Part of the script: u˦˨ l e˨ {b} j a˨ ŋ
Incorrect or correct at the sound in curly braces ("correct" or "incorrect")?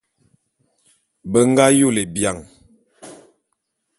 correct